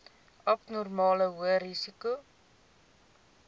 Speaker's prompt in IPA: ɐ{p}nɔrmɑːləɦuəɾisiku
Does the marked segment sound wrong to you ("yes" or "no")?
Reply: no